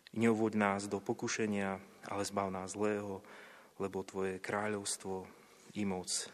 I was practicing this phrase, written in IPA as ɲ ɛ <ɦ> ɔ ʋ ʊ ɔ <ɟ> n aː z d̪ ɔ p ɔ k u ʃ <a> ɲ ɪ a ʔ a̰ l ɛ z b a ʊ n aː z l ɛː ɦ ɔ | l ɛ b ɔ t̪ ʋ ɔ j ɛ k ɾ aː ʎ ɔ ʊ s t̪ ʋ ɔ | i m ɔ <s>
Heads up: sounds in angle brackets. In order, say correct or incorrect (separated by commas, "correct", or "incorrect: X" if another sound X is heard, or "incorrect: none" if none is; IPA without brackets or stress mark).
incorrect: none, correct, incorrect: ɛ, incorrect: t͡s